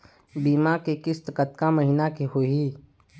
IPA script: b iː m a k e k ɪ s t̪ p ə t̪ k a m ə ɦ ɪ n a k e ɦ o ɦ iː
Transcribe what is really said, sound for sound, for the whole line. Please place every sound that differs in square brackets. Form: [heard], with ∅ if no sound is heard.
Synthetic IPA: b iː m a k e k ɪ s t̪ [k] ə t̪ k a m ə ɦ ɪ n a k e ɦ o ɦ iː